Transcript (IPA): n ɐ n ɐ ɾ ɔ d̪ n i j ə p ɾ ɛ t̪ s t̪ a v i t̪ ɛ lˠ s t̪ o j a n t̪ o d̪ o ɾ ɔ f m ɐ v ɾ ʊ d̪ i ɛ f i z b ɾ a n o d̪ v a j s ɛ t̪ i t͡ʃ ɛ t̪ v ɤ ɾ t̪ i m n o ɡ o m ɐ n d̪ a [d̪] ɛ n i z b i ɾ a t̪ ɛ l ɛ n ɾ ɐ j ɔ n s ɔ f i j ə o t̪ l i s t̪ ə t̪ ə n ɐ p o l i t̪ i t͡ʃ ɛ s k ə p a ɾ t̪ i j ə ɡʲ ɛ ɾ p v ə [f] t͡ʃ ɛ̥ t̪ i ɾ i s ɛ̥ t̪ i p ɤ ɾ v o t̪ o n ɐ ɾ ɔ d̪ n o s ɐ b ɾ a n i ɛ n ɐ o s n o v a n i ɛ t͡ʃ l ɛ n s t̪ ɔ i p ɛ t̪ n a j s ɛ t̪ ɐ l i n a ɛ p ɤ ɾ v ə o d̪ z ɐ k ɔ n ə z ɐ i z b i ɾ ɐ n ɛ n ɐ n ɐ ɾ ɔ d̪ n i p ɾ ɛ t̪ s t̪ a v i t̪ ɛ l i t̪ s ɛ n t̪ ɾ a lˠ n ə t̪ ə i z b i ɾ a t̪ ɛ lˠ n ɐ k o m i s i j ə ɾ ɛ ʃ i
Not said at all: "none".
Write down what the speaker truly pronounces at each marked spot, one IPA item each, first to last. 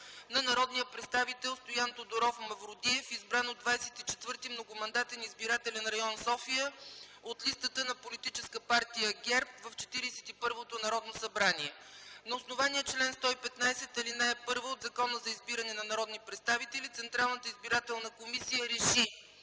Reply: t̪, f

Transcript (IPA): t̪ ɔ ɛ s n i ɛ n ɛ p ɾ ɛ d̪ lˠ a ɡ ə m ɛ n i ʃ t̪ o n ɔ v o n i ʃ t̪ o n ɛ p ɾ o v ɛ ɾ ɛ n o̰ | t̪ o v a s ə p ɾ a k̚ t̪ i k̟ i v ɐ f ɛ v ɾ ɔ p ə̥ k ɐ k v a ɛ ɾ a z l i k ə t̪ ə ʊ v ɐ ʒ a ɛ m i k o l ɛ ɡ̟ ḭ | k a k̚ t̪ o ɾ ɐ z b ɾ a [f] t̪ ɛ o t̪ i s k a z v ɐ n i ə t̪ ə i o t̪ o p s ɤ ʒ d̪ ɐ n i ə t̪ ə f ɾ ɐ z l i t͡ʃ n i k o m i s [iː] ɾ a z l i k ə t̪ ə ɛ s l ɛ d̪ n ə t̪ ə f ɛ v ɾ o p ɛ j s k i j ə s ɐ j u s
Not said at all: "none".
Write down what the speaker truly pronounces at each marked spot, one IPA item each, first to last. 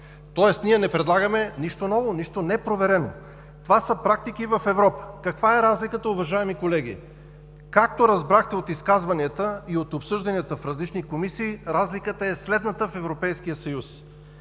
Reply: x, iː

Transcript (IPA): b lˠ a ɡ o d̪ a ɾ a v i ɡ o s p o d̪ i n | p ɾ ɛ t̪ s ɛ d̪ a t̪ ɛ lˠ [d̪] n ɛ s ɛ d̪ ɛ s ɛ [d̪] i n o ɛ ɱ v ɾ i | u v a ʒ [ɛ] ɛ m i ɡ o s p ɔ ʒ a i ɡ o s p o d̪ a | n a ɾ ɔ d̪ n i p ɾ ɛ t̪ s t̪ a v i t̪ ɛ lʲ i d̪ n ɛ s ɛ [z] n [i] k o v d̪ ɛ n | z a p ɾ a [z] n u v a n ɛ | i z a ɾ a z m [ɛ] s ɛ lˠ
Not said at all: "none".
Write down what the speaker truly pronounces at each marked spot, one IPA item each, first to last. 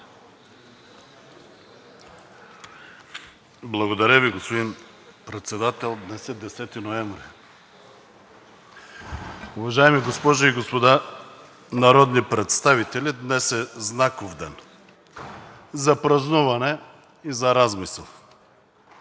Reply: d̪, t̪, a, z, a, z, i

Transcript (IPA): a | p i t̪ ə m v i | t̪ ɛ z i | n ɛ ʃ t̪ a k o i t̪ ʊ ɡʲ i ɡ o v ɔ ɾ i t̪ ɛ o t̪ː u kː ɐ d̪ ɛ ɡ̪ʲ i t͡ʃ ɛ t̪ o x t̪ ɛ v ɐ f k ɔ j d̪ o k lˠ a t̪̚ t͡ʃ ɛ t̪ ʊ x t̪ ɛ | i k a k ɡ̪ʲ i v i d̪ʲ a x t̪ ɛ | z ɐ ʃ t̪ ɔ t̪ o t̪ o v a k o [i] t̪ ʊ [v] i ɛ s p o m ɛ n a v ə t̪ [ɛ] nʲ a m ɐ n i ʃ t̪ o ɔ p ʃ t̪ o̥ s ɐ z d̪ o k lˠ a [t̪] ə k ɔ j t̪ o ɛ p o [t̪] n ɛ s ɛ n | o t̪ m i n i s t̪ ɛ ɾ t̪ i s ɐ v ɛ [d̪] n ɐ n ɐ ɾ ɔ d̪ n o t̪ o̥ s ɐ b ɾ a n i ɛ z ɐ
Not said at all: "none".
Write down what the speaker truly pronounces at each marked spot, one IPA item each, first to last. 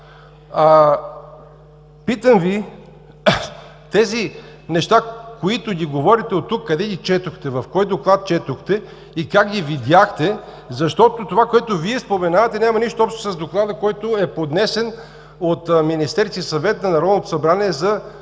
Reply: ɛ, v, ɛ, d̪, d̪, t̪

